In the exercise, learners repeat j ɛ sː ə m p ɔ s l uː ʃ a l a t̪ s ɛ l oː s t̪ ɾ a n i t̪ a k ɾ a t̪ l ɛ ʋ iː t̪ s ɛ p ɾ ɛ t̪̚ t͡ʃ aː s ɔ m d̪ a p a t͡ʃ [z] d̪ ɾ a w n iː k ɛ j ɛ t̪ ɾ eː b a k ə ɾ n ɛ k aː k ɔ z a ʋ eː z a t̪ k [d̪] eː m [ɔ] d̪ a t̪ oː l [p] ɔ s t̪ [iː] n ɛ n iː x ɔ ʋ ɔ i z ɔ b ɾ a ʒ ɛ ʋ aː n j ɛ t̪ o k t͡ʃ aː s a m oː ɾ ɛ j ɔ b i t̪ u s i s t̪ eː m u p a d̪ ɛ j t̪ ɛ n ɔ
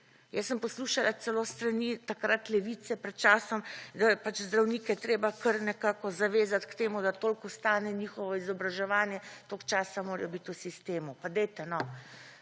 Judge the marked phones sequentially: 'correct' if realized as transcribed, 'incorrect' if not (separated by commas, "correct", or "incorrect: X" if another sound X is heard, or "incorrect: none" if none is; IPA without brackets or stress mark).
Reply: correct, incorrect: t̪, incorrect: u, incorrect: k, incorrect: aː